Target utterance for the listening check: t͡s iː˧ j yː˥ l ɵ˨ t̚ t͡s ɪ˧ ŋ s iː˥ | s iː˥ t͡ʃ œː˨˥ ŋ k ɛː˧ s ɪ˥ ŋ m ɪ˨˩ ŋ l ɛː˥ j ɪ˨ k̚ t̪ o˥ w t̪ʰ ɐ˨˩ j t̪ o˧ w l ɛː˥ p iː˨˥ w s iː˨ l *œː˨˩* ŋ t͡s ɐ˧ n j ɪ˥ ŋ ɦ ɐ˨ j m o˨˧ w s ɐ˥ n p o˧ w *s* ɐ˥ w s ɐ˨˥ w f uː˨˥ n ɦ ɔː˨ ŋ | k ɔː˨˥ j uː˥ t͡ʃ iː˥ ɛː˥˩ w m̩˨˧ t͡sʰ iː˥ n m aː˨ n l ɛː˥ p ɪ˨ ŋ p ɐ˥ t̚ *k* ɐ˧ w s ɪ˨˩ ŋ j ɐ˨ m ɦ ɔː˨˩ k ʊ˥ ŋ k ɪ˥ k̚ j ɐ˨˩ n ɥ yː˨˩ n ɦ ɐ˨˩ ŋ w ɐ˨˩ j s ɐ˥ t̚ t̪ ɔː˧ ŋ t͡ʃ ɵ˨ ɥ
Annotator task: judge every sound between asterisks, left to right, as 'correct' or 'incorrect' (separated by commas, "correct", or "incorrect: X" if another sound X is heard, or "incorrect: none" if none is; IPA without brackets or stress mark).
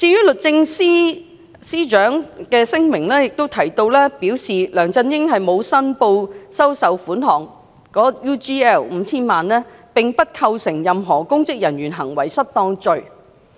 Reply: correct, correct, incorrect: kʰ